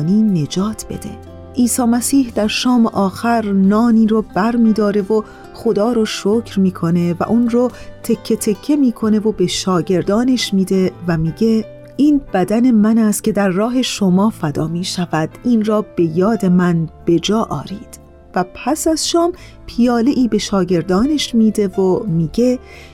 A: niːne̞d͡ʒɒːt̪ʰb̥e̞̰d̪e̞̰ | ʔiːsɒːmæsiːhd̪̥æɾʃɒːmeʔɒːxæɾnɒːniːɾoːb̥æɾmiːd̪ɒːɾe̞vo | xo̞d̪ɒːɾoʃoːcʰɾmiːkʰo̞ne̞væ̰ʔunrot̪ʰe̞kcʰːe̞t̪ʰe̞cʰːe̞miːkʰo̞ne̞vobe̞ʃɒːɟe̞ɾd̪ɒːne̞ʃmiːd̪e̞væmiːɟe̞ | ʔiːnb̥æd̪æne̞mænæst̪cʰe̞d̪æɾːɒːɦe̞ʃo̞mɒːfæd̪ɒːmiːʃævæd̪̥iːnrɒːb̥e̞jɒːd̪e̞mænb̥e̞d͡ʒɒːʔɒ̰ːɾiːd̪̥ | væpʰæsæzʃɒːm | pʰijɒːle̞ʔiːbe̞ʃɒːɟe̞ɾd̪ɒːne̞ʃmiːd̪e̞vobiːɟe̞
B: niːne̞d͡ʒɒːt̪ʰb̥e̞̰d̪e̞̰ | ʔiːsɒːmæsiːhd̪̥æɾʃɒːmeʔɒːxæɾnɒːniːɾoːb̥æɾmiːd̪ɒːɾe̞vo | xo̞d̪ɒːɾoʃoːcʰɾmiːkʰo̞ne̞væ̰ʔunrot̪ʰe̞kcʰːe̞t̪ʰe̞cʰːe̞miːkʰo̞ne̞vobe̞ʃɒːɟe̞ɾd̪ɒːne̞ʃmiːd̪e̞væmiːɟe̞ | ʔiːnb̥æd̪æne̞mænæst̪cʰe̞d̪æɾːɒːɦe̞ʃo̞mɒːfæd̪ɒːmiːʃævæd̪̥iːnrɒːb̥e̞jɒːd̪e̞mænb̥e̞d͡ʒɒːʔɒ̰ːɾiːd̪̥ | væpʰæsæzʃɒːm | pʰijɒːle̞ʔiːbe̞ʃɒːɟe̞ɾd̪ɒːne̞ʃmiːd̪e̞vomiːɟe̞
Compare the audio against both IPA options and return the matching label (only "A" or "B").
B